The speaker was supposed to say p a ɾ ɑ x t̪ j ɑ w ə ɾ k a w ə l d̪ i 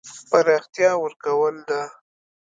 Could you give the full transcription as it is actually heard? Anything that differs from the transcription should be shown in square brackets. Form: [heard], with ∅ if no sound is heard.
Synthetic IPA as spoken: p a ɾ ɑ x t̪ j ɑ w ə ɾ k a w ə l d̪ [a]

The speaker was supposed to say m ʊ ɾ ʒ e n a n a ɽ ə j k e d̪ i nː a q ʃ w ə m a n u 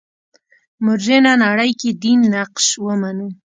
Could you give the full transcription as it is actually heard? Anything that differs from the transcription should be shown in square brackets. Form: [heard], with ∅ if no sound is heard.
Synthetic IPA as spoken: m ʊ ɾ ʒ e n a n a ɽ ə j k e d̪ i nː a q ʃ w ə m a n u

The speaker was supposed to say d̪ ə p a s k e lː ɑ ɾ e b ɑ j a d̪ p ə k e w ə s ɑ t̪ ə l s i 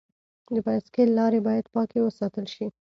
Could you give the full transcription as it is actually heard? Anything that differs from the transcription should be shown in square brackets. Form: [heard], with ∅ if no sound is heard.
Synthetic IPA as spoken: d̪ ə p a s k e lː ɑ ɾ e b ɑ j a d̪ p [ɑ] k e w ə s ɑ t̪ ə l [ʃ] i

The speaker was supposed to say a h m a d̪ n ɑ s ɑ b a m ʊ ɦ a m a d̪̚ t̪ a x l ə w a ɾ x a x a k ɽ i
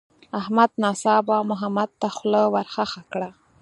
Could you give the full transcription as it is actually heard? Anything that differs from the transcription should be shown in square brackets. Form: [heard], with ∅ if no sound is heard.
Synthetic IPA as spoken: a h m a d̪ n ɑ s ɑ b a m ʊ ɦ a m a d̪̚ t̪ a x l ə w a ɾ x a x a k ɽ [a]

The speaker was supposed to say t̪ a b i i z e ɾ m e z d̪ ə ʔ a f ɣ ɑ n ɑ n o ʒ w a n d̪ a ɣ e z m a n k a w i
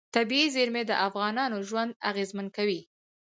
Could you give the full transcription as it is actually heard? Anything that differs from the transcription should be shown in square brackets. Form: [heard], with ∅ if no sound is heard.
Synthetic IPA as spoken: t̪ a b i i z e ɾ m e [∅] d̪ ə ʔ a f ɣ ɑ n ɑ n o ʒ w a n d̪ a ɣ e z m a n k a w i

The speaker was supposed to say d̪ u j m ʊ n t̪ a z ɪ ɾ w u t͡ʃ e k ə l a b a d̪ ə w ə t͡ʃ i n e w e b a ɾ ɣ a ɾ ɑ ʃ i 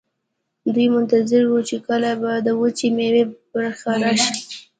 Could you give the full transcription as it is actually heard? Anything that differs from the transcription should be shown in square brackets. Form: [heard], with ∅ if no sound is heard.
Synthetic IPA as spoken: d̪ u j m ʊ n t̪ a z ɪ ɾ w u t͡ʃ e k ə l a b a d̪ ə w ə t͡ʃ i [m] e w e b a ɾ [x] a ɾ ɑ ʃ i

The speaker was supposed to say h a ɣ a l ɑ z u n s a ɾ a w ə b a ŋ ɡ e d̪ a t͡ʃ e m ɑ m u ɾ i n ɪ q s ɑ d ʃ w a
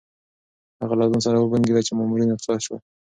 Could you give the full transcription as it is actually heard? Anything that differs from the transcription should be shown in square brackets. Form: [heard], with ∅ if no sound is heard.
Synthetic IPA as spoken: h a ɣ a l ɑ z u n s a ɾ a w ə b a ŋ ɡ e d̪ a t͡ʃ e m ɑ m u ɾ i n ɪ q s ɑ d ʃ w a

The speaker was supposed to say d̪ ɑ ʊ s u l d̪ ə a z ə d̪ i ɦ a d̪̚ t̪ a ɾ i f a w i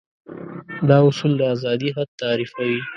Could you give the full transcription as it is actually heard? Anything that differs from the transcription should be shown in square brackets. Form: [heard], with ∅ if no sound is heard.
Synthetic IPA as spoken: d̪ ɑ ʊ s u l d̪ ə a z [ɑ] d̪ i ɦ a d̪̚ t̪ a ɾ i f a w i

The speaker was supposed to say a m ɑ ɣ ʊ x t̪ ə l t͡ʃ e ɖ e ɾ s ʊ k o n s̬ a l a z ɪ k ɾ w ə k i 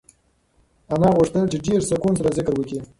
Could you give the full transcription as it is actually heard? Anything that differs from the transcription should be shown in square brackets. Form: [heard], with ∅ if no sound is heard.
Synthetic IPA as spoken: a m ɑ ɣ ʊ [ʂ] t̪ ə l t͡ʃ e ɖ e ɾ s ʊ k [u] n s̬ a [ɾ] a z ɪ k ɾ w ə k i

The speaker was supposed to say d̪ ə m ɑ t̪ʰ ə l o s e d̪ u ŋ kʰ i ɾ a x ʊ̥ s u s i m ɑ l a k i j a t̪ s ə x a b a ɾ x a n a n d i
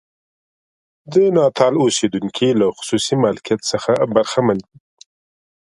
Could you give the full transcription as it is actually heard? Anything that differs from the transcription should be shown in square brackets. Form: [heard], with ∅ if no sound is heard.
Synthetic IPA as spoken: d̪ ə [n] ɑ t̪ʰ [ɑ] l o s e d̪ u ŋ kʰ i [l] a x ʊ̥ s u s i m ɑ l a k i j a t̪ s ə x a b a ɾ x a [m] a n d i

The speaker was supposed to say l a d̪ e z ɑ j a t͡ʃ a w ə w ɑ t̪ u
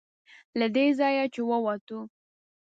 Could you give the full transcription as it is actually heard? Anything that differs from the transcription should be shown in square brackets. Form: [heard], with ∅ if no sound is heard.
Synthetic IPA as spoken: l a d̪ e z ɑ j a t͡ʃ [e] w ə w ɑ t̪ u

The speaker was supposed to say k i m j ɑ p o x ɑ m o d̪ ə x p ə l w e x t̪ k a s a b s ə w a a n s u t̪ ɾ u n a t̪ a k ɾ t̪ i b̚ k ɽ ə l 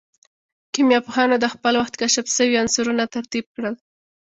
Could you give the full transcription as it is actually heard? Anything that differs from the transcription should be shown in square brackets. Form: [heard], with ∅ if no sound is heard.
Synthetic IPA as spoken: k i m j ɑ p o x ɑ [n] o d̪ ə x p ə l w [a] x t̪ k a [ʃ] a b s ə w [i] a n s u [∅] ɾ u n a t̪ a [∅] ɾ t̪ i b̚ k ɽ ə l

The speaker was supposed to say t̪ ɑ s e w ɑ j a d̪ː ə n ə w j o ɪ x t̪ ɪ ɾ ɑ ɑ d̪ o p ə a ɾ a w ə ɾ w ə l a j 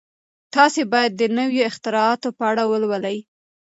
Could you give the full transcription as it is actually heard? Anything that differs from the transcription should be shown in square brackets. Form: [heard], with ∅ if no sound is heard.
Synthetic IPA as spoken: t̪ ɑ s e [b] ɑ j a d̪ː ə n ə w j o ɪ x t̪ ɪ ɾ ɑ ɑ [t̪] o p ə a [ɽ] a w ə [l] w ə l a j

